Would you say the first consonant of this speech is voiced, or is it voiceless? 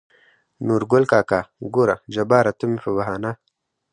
voiced